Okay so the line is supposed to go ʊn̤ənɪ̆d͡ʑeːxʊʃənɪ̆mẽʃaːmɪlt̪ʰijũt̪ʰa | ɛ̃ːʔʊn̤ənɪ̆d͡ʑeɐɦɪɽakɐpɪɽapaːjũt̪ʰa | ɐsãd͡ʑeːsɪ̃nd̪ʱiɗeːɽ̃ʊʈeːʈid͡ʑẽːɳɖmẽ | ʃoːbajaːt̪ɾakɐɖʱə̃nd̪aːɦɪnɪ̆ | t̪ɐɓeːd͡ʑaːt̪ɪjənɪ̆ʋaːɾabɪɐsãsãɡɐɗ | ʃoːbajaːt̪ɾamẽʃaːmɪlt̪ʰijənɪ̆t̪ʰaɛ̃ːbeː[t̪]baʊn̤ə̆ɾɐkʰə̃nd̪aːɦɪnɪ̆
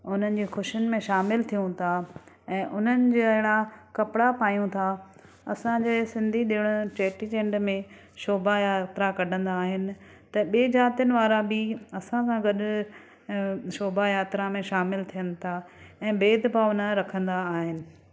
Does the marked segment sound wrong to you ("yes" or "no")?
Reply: yes